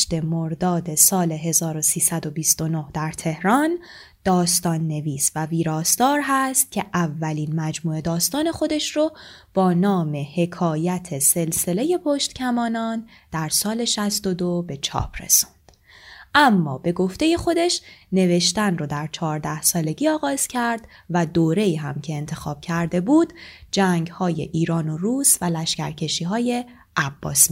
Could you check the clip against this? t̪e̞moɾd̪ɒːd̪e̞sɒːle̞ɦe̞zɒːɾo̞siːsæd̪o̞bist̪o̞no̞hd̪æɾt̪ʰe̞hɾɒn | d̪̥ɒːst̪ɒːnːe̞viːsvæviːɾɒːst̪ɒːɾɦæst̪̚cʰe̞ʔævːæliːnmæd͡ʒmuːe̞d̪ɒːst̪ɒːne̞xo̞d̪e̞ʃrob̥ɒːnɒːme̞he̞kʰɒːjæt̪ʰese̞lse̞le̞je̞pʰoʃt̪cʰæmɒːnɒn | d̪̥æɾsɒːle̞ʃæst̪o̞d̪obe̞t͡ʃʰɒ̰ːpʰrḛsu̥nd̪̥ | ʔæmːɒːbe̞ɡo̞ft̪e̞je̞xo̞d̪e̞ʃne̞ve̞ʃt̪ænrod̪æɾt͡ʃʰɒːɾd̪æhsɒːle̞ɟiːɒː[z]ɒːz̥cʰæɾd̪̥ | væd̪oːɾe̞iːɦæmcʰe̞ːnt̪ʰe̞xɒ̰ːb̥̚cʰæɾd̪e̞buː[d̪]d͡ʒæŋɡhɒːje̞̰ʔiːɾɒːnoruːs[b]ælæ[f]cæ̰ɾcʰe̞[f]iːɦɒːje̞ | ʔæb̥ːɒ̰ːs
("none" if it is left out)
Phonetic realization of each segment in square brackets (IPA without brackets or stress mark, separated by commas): ɣ, d̪, v, ʃ, ʃ